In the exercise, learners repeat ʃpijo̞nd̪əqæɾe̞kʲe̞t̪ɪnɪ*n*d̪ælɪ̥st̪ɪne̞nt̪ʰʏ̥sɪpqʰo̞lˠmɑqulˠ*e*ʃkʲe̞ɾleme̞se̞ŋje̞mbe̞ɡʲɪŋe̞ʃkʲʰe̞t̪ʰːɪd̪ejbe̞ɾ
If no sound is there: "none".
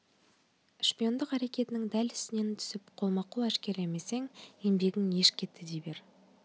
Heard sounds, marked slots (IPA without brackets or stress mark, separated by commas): ŋ, æ